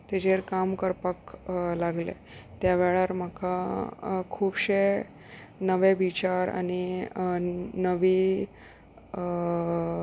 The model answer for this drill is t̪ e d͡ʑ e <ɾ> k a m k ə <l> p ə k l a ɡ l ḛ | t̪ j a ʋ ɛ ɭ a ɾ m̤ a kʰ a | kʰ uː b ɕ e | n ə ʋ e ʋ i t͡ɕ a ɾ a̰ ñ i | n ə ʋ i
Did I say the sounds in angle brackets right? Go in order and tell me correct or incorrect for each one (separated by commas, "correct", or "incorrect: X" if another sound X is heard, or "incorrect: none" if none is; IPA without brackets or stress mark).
correct, incorrect: ɾ